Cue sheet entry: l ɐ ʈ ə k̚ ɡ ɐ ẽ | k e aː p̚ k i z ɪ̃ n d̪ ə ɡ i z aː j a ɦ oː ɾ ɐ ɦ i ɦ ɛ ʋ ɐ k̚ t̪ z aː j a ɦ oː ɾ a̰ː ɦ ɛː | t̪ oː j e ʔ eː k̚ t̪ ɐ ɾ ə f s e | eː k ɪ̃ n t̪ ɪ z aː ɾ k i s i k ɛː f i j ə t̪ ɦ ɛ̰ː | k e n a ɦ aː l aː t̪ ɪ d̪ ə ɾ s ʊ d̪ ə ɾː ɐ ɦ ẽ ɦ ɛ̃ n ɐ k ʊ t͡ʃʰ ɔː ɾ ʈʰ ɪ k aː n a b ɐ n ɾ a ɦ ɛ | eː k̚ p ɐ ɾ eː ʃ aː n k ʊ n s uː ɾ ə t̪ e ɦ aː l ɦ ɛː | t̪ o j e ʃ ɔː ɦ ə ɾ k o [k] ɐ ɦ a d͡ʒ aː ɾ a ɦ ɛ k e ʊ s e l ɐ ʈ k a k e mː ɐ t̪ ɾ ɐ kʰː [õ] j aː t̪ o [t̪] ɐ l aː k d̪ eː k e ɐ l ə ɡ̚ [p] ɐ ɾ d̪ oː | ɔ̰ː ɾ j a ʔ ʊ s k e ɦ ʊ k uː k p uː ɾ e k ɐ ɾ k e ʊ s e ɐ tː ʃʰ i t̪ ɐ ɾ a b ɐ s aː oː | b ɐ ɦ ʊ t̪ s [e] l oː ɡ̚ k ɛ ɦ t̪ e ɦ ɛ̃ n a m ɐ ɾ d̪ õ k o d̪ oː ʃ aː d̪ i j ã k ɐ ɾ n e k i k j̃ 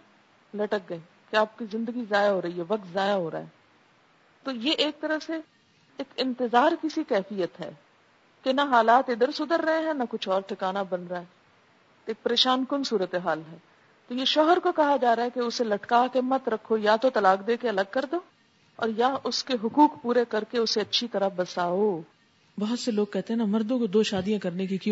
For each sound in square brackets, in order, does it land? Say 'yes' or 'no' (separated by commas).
yes, no, yes, no, yes